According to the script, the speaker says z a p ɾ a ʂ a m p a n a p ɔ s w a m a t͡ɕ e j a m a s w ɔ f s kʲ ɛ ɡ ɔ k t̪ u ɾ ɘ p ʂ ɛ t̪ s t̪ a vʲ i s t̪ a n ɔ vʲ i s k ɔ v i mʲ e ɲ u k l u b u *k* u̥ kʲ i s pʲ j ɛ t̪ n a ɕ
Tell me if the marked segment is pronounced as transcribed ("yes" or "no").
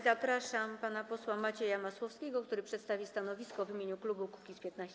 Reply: yes